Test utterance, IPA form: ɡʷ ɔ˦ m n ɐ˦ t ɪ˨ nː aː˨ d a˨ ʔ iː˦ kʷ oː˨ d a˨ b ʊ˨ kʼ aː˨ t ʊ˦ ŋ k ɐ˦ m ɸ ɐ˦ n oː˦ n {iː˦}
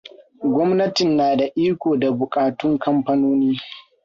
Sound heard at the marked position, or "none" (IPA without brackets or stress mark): iː˦